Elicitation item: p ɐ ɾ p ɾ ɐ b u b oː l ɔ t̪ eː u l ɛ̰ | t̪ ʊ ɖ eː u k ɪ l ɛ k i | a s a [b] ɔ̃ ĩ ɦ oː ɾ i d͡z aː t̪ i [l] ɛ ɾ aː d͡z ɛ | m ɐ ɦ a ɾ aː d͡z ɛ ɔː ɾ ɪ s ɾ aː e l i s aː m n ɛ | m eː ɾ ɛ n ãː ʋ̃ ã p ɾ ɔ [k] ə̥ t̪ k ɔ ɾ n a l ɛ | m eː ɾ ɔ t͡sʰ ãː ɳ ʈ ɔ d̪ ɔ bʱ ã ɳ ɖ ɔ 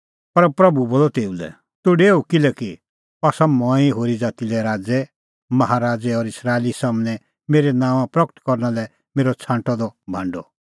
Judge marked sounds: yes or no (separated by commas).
no, yes, yes